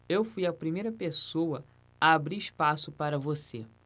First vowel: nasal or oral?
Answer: oral